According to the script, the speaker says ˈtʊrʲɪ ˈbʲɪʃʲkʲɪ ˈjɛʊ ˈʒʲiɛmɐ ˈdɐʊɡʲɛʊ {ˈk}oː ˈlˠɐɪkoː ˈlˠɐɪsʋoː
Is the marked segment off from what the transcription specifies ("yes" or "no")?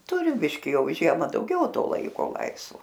yes